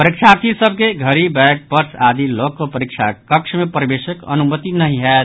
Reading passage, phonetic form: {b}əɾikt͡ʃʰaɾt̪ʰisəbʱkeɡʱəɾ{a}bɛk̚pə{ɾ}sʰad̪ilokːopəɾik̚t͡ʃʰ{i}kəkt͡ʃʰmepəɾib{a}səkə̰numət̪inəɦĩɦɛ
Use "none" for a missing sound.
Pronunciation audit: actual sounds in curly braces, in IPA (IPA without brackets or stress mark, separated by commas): p, i, ɾ, a, e